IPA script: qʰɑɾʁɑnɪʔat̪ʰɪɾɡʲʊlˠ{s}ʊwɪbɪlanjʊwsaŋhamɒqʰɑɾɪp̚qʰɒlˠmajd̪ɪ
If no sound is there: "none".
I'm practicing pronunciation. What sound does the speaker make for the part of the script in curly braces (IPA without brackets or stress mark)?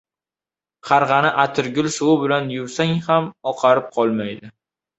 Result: s